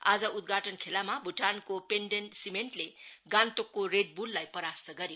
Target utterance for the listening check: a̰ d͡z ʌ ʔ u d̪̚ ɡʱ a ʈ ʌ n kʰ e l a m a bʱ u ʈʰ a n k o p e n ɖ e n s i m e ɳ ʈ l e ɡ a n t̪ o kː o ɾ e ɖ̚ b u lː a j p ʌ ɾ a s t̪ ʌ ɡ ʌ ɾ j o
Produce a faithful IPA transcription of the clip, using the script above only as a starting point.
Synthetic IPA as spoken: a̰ d͡z ʌ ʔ u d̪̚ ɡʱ a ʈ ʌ n kʰ e l a m a bʱ u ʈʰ a n k o p e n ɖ e n s i m e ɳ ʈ l e ɡ a n t̪ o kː o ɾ e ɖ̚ b u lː a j p ʌ ɾ a s t̪ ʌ ɡ ʌ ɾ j o